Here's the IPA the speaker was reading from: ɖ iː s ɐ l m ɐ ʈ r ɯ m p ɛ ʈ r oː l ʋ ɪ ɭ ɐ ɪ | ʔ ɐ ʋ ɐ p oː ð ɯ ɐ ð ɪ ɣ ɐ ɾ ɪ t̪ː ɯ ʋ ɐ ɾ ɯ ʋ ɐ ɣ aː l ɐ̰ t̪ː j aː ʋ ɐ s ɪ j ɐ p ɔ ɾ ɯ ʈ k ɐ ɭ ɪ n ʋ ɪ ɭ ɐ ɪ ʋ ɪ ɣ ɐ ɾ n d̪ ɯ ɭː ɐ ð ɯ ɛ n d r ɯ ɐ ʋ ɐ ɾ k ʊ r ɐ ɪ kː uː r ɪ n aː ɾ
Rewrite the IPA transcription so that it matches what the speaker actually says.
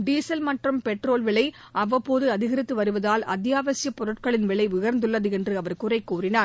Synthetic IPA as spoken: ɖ iː s ɐ l m ɐ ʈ r ɯ m p ɛ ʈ r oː l ʋ ɪ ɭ ɐ ɪ | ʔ ɐ ʋ ɐ p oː ð ɯ ɐ ð ɪ ɣ ɐ ɾ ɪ t̪ː ɯ ʋ ɐ ɾ ɯ ʋ ɐ ð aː l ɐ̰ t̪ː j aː ʋ ɐ s ɪ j ɐ p ɔ ɾ ɯ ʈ k ɐ ɭ ɪ n ʋ ɪ ɭ ɐ ɪ ʋ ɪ ɣ ɐ ɾ n d̪ ɯ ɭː ɐ ð ɯ ɛ n d r ɯ ɐ ʋ ɐ ɾ k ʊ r ɐ ɪ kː uː r ɪ n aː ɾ